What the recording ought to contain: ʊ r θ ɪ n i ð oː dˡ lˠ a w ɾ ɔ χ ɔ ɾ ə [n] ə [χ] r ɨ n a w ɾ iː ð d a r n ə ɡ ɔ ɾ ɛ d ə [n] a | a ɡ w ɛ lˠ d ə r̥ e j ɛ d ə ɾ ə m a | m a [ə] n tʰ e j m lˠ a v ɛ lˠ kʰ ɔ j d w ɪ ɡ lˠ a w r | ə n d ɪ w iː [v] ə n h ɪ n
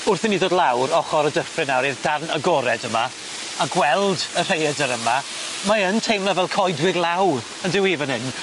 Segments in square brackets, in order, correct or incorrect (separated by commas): incorrect, incorrect, incorrect, correct, correct